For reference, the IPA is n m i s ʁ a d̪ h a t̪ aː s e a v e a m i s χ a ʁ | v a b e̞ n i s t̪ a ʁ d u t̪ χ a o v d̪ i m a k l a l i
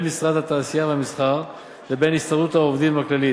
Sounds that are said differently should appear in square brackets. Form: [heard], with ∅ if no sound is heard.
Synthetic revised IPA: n m i s ʁ a d̪ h a t̪ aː s [i] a v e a m i s χ a ʁ | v [e] b e̞ n i s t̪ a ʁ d u t̪ [h] a o v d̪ i m a k l a l i